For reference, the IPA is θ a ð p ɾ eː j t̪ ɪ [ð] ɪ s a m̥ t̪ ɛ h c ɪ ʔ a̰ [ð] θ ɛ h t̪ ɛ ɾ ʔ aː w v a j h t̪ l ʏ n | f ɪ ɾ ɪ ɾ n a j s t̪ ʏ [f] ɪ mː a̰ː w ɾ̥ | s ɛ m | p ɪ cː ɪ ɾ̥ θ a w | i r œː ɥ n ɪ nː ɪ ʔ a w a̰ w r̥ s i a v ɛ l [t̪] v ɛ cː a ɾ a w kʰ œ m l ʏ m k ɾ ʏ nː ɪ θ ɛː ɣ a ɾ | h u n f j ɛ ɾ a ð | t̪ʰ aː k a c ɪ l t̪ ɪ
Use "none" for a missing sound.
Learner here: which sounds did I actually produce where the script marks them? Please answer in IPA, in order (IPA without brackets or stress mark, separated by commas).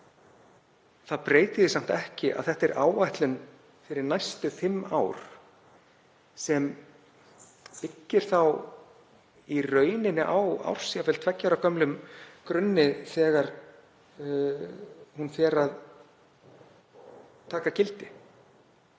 ð, ð, θ, t̪ʰ